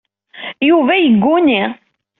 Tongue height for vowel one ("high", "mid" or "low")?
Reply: high